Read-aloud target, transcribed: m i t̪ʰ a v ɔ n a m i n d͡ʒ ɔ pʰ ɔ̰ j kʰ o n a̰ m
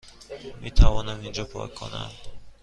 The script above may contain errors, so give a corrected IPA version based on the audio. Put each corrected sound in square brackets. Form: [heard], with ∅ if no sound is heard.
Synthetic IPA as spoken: m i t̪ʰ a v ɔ n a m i n d͡ʒ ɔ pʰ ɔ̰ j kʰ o n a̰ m